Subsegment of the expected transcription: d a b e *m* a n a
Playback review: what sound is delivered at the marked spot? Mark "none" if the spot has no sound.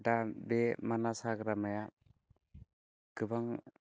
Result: m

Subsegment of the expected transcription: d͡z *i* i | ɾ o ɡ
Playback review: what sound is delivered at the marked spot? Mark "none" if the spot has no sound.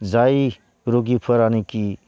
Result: a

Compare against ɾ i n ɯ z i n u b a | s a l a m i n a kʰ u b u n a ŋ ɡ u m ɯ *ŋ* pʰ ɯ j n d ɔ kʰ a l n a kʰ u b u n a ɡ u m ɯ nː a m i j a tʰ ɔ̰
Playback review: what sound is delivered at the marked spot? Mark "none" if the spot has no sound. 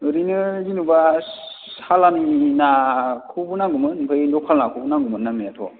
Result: n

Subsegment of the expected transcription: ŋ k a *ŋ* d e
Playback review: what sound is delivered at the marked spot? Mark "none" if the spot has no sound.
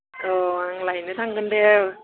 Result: n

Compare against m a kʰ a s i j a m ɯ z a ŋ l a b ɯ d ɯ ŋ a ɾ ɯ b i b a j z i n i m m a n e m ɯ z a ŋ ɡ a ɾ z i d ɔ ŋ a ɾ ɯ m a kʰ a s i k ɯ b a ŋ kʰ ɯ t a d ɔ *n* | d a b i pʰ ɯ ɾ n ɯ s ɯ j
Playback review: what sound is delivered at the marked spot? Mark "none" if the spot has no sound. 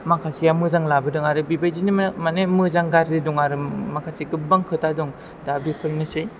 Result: ŋ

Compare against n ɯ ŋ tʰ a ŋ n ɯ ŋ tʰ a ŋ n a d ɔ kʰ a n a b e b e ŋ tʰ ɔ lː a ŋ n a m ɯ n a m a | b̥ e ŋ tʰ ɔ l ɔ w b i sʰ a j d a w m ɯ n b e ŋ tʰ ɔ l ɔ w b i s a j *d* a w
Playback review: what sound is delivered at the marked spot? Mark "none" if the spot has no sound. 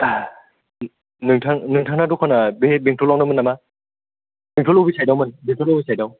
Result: d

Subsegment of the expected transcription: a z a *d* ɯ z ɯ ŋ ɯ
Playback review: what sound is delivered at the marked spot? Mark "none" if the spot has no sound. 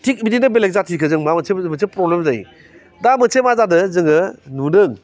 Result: d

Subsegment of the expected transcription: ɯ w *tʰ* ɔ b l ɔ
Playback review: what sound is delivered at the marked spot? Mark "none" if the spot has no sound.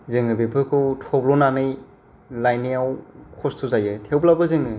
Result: tʰ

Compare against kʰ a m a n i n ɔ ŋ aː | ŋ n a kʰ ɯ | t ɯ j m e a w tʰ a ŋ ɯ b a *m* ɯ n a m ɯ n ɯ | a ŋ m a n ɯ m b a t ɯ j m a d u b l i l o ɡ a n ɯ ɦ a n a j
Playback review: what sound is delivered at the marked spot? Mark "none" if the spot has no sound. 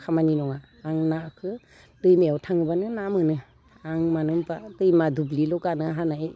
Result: n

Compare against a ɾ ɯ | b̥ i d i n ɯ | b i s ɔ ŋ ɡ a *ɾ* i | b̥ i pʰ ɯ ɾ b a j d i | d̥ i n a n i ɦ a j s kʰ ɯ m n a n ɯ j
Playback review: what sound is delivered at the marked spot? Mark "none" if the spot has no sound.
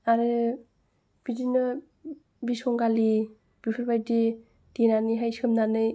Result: l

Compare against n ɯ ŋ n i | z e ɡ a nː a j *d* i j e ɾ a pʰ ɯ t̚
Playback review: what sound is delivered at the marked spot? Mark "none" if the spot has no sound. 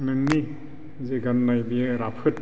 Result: b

